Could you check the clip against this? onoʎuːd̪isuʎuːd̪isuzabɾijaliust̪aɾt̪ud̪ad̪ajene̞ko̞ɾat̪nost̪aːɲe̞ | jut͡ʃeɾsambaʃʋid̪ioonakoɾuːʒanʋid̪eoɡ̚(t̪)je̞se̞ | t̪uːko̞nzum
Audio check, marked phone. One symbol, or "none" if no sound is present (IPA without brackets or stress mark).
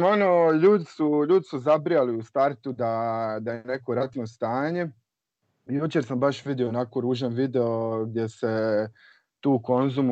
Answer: d̪